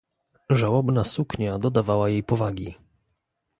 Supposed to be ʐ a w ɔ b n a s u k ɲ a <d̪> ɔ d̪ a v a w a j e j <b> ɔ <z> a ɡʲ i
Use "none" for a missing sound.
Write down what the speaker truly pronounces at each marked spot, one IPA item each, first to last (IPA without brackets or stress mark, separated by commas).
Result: d̪, p, v